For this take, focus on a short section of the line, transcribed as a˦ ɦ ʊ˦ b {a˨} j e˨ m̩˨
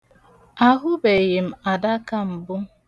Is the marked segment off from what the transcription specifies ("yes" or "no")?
yes